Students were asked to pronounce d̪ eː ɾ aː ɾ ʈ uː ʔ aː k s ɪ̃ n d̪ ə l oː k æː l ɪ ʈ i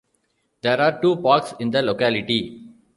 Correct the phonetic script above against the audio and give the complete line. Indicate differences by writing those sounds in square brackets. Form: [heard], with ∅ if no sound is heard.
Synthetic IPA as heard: d̪ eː ɾ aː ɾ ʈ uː [p] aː k s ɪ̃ n d̪ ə l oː k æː l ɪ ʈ i

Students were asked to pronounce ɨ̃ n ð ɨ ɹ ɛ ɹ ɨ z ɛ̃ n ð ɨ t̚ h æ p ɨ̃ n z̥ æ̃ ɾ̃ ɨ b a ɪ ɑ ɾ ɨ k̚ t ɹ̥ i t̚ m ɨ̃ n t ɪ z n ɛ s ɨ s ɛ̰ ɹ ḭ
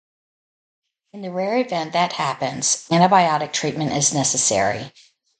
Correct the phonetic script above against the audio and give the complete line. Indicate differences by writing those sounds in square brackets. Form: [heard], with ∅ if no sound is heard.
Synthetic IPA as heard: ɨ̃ n ð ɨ ɹ ɛ ɹ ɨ [v] ɛ̃ n ð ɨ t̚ h æ p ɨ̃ n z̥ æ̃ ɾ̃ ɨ b a ɪ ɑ ɾ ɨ k̚ [tʰ] ɹ̥ i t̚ m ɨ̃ n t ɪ z n ɛ s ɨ s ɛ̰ ɹ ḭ

